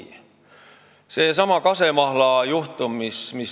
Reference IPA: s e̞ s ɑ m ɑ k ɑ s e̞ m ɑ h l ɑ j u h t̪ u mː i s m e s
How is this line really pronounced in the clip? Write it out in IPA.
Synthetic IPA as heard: s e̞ s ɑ m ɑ k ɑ s e̞ m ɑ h l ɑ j u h t̪ u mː i s m i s